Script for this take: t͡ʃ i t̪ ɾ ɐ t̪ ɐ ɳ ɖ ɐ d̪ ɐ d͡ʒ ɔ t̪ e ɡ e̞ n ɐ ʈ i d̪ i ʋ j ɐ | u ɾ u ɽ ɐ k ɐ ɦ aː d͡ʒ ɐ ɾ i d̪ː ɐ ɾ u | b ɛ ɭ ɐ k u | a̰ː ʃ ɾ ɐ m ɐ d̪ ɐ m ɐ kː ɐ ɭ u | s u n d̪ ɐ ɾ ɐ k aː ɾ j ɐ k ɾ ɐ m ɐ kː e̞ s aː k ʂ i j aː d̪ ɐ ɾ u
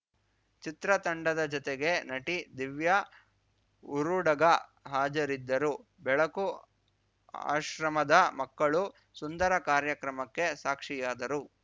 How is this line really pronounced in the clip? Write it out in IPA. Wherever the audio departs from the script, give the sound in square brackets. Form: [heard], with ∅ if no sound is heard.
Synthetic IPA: t͡ʃ i t̪ ɾ ɐ t̪ ɐ ɳ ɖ ɐ d̪ ɐ d͡ʒ ɔ t̪ e ɡ e̞ n ɐ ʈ i d̪ i ʋ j ɐ | u ɾ u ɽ ɐ [ɡ] ɐ ɦ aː d͡ʒ ɐ ɾ i d̪ː ɐ ɾ u | b ɛ ɭ ɐ k u | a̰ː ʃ ɾ ɐ m ɐ d̪ ɐ m ɐ kː ɐ ɭ u | s u n d̪ ɐ ɾ ɐ k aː ɾ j ɐ k ɾ ɐ m ɐ kː e̞ s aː k ʂ i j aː d̪ ɐ ɾ u